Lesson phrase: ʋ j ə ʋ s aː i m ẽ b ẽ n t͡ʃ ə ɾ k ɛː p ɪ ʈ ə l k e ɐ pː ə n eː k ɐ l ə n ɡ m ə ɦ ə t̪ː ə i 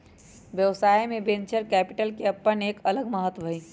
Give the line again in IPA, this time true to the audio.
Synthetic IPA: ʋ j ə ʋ s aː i m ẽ b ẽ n t͡ʃ ə ɾ k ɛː p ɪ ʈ ə l k e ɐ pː ə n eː k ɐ l ə ɡ m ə ɦ ə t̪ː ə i